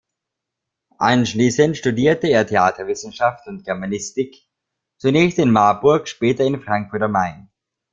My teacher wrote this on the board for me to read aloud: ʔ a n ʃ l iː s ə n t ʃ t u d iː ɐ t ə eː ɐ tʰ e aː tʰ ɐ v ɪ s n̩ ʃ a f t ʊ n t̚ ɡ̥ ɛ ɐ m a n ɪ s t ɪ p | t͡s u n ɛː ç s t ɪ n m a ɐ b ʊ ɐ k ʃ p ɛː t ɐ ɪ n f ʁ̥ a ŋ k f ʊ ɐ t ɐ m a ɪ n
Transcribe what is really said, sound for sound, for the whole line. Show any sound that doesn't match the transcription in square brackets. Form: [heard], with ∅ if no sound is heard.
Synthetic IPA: ʔ a n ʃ l iː s ə n t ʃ t u d iː ɐ t ə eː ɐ tʰ e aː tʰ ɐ v ɪ s n̩ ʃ a f t ʊ n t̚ ɡ̥ ɛ ɐ m a n ɪ s t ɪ [k] | t͡s u n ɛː ç s t ɪ n m a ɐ b ʊ ɐ k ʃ p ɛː t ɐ ɪ n f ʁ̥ a ŋ k f ʊ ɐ t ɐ m a ɪ n

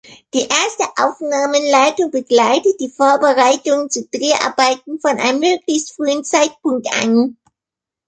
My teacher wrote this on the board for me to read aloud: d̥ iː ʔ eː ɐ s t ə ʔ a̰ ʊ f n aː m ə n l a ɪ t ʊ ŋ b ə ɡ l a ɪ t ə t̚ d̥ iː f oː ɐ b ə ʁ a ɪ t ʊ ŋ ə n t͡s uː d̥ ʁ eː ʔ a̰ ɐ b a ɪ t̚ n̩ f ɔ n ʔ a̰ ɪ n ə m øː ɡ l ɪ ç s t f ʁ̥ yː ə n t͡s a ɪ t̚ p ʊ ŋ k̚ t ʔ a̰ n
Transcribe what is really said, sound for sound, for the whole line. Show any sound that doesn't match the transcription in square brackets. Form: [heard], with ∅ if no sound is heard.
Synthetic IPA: d̥ iː ʔ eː ɐ s t ə ʔ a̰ ʊ f n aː m ə n l a ɪ t ʊ ŋ b ə ɡ l a ɪ t ə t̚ d̥ iː f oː ɐ b ə ʁ a ɪ t ʊ ŋ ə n t͡s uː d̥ ʁ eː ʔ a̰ ɐ b a ɪ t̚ n̩ f ɔ n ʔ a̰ ɪ n ə m øː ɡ l ɪ ç s t f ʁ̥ yː ə n t͡s a ɪ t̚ p ʊ ŋ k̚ t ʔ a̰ n

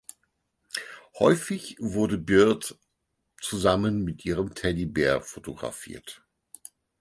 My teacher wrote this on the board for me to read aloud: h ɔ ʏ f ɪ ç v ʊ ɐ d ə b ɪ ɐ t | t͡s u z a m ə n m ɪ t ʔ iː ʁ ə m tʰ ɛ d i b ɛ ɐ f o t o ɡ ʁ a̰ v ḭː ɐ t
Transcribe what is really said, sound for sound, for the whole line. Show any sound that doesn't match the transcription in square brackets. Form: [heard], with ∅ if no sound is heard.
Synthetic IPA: h ɔ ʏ f ɪ ç v ʊ ɐ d ə b ɪ ɐ t | t͡s u z a m ə n m ɪ t ʔ iː ʁ ə m tʰ ɛ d i b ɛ ɐ f o t o ɡ ʁ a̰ [f] ḭː ɐ t

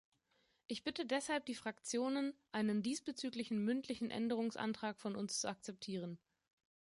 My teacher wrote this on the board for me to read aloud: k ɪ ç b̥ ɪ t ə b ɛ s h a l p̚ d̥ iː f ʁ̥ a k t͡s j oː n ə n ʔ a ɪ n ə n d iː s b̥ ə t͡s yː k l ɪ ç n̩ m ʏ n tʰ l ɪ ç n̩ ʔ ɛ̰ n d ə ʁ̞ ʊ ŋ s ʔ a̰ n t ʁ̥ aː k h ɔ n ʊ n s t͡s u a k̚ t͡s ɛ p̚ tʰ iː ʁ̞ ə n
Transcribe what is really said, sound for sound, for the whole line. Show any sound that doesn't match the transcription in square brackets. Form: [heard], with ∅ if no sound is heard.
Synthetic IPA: [ʔ] ɪ ç b̥ ɪ t ə [d] ɛ s h a l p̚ d̥ iː f ʁ̥ a k t͡s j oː n ə n ʔ a ɪ n ə n d iː s b̥ ə t͡s yː k l ɪ ç n̩ m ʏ n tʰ l ɪ ç n̩ ʔ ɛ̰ n d ə ʁ̞ ʊ ŋ s ʔ a̰ n t ʁ̥ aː k [f] ɔ n ʊ n s t͡s u a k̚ t͡s ɛ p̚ tʰ iː ʁ̞ ə n

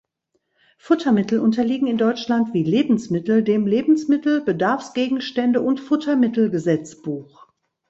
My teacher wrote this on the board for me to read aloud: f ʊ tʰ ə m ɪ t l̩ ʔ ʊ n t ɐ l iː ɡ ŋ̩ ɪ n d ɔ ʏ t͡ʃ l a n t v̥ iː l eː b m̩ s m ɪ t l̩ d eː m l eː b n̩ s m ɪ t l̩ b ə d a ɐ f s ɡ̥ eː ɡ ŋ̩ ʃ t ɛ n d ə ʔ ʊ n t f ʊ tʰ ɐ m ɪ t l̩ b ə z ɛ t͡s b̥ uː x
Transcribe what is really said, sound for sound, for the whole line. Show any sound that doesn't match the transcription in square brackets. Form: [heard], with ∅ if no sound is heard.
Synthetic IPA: f ʊ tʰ [ɐ] m ɪ t l̩ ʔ ʊ n t ɐ l iː ɡ ŋ̩ ɪ n d ɔ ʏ t͡ʃ l a n t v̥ iː l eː b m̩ s m ɪ t l̩ d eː m l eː b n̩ s m ɪ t l̩ b ə d a ɐ f s ɡ̥ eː ɡ ŋ̩ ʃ t ɛ n d ə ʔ ʊ n t f ʊ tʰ ɐ m ɪ t l̩ [ɡ] ə z ɛ t͡s b̥ uː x

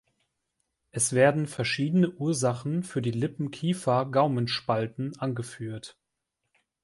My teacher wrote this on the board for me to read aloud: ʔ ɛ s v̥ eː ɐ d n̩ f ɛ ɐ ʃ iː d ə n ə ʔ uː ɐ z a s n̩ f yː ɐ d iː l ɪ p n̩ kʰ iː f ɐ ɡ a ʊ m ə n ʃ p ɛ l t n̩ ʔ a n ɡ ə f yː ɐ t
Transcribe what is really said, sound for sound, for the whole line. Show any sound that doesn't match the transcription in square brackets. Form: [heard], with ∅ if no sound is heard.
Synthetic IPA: ʔ ɛ s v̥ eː ɐ d n̩ f ɛ ɐ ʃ iː d ə n ə ʔ uː ɐ z a [χ] n̩ f yː ɐ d iː l ɪ p [m̩] kʰ iː f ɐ ɡ a ʊ m ə n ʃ p [a] l t n̩ ʔ a n ɡ ə f yː ɐ t

